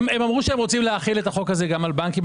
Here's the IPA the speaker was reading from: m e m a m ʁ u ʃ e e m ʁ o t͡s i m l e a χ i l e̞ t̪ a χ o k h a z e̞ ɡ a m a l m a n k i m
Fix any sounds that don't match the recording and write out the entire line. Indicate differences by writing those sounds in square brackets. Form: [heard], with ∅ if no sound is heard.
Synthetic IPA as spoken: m e m a m ʁ u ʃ e e m ʁ o t͡s i m l e a χ i l e̞ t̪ a χ o k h a z e̞ ɡ a m a l [b] a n k i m